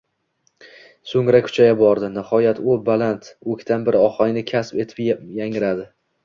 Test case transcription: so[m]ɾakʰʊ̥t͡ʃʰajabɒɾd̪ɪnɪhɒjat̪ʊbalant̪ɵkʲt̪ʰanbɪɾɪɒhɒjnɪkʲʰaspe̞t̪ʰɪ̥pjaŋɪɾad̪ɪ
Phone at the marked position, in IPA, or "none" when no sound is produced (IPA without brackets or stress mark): ŋ